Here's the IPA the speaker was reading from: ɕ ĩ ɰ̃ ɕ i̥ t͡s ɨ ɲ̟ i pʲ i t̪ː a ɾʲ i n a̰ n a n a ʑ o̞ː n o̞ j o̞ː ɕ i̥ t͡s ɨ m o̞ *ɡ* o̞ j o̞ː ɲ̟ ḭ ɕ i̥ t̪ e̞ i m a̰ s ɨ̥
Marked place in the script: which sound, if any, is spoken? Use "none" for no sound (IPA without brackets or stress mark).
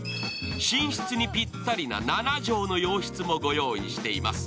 ɡ